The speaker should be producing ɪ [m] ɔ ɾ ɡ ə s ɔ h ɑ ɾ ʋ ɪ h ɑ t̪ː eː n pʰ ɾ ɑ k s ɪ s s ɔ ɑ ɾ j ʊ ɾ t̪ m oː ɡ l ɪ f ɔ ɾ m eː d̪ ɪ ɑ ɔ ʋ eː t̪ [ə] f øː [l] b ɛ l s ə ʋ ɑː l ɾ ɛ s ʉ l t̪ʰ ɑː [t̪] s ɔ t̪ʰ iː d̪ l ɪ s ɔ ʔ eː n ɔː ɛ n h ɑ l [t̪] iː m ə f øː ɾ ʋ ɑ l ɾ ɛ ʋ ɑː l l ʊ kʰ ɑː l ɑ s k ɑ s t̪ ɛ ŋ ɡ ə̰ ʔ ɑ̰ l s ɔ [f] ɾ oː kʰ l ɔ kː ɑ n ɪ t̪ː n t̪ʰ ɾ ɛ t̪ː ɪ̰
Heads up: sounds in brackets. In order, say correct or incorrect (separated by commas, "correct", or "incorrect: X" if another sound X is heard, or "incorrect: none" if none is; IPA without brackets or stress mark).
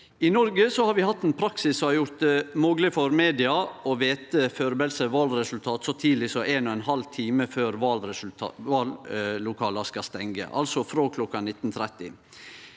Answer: incorrect: n, correct, incorrect: ɾ, correct, incorrect: t̪ʰ, correct